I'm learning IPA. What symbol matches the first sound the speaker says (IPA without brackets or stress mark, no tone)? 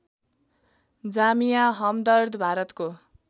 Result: d͡z